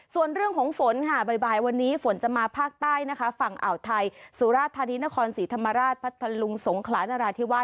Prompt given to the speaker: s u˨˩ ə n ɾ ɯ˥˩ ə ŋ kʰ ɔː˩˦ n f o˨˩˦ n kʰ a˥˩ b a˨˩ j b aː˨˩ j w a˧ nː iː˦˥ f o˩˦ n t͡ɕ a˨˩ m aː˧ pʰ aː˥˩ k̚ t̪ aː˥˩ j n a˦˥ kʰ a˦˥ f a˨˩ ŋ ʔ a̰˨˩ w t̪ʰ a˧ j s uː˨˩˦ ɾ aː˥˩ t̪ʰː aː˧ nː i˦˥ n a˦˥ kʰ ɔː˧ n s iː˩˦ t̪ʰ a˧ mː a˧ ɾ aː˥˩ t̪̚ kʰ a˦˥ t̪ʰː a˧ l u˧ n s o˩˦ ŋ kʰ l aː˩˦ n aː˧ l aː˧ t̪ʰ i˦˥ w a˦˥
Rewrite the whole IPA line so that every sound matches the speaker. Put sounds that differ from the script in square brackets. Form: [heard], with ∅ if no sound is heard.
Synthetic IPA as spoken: s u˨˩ ə n ɾ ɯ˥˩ ə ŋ kʰ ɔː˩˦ [ŋ] f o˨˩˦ n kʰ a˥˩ b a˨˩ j b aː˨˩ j w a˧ nː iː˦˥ f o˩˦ n t͡ɕ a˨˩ m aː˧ pʰ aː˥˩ k̚ t̪ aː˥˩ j n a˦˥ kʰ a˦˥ f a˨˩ ŋ ʔ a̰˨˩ w t̪ʰ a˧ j s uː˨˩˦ ɾ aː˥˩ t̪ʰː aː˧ [n] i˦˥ n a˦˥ kʰ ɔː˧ n s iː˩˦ t̪ʰ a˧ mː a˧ ɾ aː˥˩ t̪̚ [pʰ] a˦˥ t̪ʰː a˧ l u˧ [ŋ] s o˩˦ ŋ kʰ l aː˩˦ n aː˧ [ɾ] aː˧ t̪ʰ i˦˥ w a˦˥